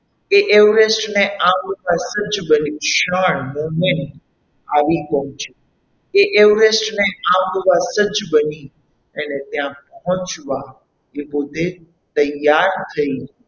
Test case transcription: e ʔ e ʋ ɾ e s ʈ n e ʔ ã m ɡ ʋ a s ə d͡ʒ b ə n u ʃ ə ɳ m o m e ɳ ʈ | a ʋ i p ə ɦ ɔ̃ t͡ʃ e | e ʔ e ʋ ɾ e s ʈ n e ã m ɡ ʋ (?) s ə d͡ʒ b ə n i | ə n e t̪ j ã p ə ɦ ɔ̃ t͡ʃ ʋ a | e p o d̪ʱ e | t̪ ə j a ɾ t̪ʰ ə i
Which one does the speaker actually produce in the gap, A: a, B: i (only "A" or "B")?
A